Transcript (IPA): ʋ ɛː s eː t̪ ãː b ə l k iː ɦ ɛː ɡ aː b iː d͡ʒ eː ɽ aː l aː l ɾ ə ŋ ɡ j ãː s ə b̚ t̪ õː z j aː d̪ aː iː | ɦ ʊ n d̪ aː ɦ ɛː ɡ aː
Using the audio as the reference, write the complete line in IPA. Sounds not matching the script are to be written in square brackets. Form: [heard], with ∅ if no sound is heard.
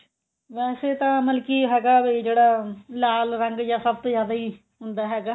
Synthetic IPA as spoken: ʋ ɛː s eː t̪ ãː [m] ə l k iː ɦ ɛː ɡ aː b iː d͡ʒ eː ɽ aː l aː l ɾ ə ŋ ɡ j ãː s ə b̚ t̪ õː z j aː d̪ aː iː | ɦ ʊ n d̪ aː ɦ ɛː ɡ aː

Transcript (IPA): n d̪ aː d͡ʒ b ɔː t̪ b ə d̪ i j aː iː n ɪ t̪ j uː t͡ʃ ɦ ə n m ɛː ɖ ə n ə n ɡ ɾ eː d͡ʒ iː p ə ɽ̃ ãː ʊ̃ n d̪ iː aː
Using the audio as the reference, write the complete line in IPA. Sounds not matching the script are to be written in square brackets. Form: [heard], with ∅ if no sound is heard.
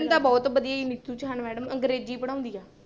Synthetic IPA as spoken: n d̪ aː [∅] b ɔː t̪ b ə d̪ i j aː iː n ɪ t̪ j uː t͡ʃ ɦ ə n m ɛː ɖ ə [m] ə [ŋ] ɡ ɾ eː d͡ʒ iː p ə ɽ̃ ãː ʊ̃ n d̪ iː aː

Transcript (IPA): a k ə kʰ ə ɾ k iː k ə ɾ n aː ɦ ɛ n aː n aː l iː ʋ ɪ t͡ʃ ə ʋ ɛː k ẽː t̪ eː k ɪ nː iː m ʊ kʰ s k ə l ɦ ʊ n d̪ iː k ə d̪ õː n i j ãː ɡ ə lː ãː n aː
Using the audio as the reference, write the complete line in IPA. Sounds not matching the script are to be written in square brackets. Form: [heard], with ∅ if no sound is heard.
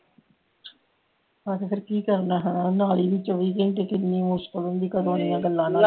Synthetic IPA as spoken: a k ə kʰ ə ɾ k iː k ə ɾ n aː ɦ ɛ n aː n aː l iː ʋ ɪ t͡ʃ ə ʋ [iː] k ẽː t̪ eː k ɪ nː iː m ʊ [∅] s k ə l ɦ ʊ n d̪ iː k ə d̪ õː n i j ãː ɡ ə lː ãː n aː

